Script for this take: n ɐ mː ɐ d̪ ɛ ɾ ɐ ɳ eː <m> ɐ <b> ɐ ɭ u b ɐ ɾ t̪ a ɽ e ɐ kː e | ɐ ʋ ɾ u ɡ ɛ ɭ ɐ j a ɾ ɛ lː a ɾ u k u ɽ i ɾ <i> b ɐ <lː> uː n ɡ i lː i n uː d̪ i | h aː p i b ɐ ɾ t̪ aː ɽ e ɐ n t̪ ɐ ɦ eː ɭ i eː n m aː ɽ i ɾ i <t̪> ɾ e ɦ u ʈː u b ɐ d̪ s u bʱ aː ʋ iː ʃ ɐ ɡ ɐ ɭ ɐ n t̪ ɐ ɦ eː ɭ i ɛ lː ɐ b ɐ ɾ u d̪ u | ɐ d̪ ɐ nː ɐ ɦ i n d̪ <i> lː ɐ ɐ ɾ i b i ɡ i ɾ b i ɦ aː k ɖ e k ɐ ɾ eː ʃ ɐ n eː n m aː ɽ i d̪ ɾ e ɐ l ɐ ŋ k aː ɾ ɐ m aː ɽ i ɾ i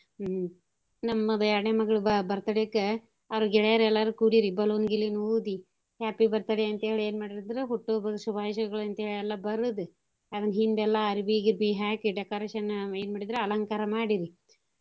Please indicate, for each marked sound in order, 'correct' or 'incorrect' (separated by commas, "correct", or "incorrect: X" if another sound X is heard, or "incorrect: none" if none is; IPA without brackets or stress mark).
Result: correct, incorrect: ɡ, correct, incorrect: l, incorrect: d̪, incorrect: ɛ